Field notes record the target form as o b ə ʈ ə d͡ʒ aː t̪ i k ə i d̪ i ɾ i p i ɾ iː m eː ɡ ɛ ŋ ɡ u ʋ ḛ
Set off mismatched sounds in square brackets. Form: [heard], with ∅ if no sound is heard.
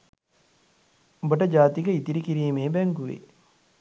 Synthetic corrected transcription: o b ə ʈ ə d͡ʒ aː t̪ i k ə i [t̪] i ɾ i [k] i ɾ iː m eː [b] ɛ ŋ ɡ u ʋ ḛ